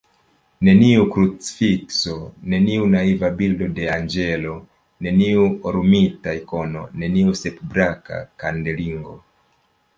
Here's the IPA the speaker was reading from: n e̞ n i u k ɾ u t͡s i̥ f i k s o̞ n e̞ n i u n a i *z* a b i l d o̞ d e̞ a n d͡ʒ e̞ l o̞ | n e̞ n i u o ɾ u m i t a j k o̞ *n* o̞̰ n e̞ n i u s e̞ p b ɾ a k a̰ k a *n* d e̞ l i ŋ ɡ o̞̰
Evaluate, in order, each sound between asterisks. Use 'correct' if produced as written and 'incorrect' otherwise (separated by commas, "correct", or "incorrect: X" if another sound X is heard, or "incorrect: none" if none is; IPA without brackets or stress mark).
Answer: incorrect: v, correct, correct